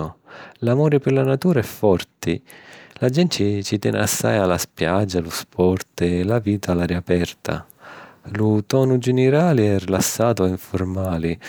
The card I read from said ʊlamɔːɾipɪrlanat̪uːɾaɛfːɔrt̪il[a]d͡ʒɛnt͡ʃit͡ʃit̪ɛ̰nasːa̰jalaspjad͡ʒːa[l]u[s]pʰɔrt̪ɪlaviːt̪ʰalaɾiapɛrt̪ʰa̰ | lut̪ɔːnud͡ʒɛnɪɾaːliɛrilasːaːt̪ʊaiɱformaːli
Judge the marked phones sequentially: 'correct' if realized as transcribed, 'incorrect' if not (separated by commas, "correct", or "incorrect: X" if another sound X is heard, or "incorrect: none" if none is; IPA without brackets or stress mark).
correct, correct, correct